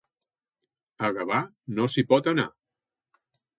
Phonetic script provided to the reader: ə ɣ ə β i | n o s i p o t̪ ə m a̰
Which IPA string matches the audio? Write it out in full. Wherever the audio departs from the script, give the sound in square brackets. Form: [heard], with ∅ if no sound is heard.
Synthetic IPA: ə ɣ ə β [a] | n o s i p [ɔ] t̪ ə [n] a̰